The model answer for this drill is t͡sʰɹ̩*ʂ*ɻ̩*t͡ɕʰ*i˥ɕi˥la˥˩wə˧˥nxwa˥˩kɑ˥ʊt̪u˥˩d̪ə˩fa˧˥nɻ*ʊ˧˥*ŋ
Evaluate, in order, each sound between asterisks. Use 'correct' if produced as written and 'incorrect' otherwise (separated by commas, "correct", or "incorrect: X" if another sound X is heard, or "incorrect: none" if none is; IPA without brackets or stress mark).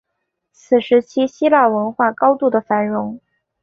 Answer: correct, correct, correct